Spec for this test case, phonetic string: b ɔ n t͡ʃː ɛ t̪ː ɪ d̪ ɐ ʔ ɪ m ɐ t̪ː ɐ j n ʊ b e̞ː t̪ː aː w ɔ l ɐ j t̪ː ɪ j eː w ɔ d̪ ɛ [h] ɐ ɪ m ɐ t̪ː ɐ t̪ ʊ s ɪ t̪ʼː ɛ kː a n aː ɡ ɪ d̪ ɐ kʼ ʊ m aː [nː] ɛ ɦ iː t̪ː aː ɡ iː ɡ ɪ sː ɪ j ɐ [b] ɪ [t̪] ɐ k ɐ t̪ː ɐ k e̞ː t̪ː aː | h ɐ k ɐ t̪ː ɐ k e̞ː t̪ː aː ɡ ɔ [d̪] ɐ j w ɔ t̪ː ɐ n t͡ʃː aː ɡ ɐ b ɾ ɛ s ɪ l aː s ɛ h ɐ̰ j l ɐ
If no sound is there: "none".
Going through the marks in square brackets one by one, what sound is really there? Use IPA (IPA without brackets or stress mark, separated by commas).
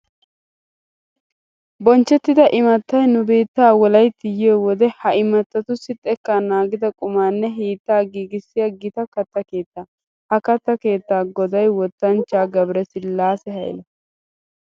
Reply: h, nː, ɡ, t̪, d̪